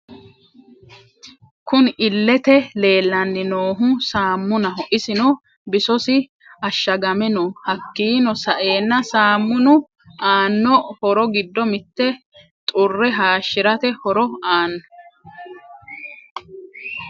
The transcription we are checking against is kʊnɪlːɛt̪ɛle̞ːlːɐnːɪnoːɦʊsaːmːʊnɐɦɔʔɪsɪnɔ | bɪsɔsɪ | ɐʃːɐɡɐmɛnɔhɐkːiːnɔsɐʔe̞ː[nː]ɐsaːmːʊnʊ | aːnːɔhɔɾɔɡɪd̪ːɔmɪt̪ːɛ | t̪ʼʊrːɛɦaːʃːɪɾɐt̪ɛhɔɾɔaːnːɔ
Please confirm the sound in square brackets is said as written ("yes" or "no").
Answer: yes